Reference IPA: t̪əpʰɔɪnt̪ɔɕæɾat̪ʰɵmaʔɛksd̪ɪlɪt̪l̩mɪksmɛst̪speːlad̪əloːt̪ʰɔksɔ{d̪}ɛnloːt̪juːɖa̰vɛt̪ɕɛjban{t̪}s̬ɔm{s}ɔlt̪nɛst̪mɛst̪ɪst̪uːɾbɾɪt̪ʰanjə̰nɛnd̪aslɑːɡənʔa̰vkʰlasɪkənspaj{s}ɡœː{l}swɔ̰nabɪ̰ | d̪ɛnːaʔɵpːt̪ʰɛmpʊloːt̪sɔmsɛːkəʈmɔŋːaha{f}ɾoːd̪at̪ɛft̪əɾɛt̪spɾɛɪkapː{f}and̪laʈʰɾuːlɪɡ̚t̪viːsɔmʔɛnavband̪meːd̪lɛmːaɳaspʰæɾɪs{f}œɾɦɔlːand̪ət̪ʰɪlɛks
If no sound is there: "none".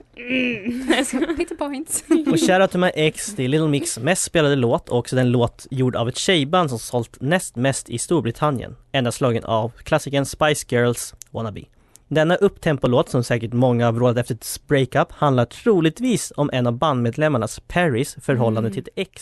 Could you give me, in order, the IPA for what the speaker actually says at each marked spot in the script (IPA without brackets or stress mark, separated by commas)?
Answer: d̪, d̪, s, s, l, v, h, f